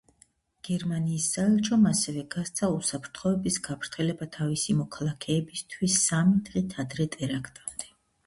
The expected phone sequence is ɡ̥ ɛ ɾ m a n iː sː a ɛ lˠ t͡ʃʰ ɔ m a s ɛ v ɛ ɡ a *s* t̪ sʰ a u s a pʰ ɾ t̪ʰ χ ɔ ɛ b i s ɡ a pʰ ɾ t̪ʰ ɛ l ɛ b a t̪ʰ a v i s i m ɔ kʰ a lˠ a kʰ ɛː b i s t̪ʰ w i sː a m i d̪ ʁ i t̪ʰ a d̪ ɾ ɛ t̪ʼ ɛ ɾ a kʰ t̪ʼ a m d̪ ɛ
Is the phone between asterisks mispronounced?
no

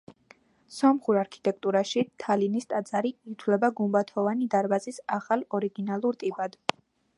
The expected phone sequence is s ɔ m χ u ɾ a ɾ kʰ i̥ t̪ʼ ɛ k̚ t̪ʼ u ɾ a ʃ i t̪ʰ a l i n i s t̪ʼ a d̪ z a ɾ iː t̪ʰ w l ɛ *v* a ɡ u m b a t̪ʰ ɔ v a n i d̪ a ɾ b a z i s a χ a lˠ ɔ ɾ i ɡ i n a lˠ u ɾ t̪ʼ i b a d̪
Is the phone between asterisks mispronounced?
yes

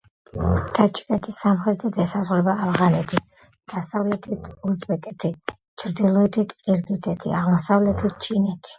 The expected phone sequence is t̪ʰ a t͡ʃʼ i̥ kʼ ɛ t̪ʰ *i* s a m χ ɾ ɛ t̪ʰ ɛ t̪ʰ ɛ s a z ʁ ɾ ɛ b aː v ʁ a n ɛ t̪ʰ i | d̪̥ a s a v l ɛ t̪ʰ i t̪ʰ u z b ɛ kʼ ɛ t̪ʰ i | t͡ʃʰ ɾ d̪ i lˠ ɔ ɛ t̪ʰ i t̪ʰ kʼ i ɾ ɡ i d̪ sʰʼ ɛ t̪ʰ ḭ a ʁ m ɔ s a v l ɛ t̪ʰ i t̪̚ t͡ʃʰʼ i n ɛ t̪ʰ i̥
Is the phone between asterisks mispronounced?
no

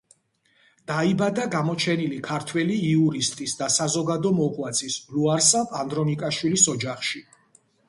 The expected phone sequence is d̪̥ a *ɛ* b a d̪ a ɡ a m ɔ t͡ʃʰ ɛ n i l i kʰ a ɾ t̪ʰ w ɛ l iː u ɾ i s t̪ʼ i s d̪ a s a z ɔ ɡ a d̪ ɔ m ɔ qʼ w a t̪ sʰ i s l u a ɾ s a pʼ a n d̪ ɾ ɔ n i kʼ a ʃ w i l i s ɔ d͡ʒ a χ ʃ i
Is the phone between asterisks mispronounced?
yes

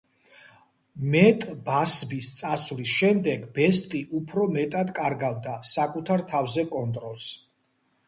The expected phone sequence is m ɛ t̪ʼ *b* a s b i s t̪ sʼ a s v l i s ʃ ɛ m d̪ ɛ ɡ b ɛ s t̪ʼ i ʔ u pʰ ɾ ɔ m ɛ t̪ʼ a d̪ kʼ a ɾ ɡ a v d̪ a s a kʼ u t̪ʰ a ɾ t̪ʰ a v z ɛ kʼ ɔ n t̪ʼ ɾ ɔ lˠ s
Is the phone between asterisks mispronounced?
no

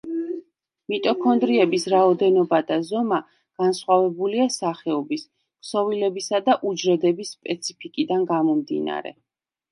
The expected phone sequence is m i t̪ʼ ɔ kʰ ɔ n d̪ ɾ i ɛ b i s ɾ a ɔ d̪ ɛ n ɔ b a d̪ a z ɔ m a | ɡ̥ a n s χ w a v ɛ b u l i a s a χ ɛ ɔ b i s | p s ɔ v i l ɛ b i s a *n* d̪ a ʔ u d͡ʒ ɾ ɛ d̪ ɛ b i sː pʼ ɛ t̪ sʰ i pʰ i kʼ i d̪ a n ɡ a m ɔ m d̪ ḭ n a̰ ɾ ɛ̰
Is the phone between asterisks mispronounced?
yes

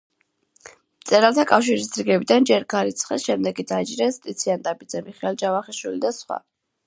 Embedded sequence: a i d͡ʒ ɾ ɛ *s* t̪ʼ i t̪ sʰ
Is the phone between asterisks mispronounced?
no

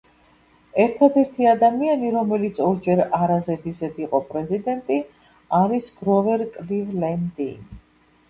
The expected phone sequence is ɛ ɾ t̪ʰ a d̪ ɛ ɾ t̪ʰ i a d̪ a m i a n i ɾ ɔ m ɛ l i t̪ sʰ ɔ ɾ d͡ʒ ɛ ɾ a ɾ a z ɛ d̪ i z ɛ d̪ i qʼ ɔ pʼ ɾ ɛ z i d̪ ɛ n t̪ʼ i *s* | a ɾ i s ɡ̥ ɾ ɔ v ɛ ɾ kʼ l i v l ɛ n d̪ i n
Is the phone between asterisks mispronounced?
yes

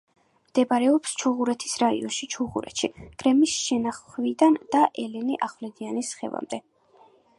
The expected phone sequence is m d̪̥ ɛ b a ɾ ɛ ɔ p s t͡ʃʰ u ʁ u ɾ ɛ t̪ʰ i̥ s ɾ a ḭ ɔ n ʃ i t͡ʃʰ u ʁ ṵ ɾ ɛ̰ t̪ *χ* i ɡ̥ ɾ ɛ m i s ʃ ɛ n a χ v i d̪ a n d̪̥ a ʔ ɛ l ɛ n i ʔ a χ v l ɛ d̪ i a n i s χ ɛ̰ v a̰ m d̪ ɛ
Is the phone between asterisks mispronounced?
yes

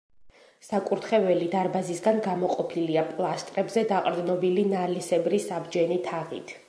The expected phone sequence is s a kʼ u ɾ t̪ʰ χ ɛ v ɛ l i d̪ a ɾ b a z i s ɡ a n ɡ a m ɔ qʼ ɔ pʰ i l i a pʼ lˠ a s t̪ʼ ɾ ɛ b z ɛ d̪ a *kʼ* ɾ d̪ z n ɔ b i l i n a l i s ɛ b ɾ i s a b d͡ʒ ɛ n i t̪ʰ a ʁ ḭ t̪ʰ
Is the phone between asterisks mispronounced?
yes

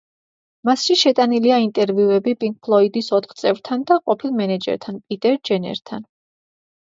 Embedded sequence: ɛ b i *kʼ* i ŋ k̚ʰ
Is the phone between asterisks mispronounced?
yes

